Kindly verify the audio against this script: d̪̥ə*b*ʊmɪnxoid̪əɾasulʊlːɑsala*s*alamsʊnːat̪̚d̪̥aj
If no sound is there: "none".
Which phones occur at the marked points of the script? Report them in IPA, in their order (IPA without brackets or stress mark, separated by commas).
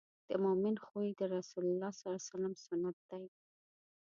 m, s